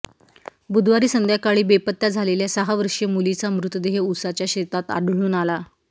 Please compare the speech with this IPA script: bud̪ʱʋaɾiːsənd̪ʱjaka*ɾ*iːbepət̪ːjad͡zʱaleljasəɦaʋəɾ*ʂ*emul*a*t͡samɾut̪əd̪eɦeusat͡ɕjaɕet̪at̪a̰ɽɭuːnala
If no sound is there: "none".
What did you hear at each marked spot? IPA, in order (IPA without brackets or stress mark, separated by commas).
ɭ, ʂ, i